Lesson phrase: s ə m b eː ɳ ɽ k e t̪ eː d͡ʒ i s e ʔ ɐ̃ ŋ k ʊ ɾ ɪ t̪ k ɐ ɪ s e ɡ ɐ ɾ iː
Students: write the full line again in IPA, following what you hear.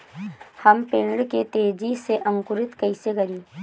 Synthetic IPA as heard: h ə m p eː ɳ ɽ k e t̪ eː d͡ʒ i s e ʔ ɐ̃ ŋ k ʊ ɾ ɪ t̪ k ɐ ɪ s e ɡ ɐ ɾ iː